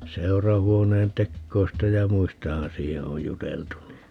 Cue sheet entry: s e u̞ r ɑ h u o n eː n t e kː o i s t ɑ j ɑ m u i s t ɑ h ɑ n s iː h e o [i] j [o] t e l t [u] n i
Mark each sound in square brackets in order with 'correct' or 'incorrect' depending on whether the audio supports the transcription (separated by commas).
incorrect, incorrect, correct